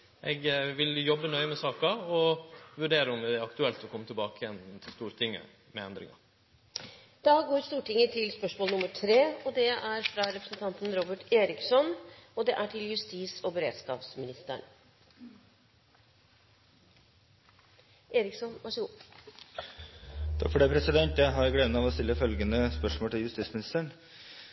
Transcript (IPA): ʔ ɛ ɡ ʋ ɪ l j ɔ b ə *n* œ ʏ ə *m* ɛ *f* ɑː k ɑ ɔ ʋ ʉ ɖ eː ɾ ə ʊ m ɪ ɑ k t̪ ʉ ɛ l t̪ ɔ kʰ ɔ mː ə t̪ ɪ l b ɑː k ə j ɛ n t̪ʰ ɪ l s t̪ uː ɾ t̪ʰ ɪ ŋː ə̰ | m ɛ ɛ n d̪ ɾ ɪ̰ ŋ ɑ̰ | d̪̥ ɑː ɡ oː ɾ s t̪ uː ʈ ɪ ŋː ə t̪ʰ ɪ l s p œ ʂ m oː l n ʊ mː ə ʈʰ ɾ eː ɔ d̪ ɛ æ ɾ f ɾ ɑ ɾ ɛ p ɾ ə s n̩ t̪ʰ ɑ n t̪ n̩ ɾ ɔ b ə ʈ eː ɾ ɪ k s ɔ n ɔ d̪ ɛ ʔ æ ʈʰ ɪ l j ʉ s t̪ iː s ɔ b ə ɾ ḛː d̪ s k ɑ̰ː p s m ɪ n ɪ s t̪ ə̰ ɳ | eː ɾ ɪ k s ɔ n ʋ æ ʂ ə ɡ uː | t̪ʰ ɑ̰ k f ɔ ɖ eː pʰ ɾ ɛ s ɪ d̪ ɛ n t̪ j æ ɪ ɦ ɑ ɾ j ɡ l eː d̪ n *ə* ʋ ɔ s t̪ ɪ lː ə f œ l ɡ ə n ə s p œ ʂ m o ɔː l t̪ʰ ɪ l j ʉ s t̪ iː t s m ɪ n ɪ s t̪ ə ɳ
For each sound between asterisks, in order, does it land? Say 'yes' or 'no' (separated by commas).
yes, yes, no, no